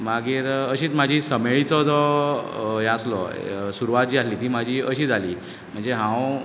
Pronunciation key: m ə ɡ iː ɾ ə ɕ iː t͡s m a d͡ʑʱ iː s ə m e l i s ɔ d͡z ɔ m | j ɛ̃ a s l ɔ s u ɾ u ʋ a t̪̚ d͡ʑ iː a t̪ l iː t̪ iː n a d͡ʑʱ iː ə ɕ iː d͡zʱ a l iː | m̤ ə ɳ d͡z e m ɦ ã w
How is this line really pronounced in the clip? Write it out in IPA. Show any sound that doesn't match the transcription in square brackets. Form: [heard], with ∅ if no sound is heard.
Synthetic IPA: m [a] ɡ iː ɾ ə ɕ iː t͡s m a d͡ʑʱ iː s ə m e [ɭ] i [t͡s] ɔ d͡z ɔ [∅] | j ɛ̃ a s l ɔ s u ɾ u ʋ a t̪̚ d͡ʑ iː a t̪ l iː t̪ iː [m] a d͡ʑʱ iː ə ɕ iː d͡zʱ a l iː | m̤ ə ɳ d͡z e [∅] ɦ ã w

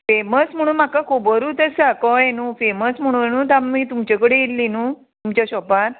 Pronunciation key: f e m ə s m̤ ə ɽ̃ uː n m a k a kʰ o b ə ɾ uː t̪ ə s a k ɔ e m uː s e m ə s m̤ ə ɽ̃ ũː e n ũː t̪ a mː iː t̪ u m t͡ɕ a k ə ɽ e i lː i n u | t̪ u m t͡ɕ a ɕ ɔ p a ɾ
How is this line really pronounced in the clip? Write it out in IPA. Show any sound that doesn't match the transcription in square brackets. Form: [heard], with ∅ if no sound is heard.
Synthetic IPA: f e m ə s m̤ ə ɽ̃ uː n m a k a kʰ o b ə ɾ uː t̪ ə s a k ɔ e [n] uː [f] e m ə s m̤ ə ɽ̃ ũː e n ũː t̪ a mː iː t̪ u m t͡ɕ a k ə ɽ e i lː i n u | t̪ u m t͡ɕ a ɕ ɔ p a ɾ

